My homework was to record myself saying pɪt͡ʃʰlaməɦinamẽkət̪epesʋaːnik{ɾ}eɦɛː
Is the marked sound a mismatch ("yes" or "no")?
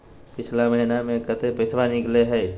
yes